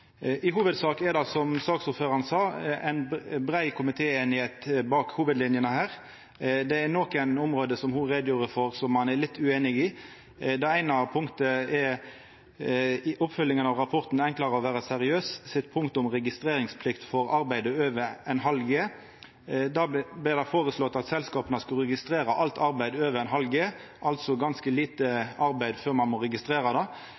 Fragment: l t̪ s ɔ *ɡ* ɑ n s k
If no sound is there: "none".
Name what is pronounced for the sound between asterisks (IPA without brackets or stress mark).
ɡ